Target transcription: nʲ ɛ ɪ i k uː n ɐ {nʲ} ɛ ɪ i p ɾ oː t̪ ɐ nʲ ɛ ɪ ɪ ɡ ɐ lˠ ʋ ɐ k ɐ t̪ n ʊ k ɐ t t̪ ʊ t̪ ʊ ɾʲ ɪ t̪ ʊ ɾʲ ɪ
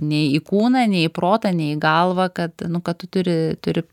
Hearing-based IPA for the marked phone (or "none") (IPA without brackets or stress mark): nʲ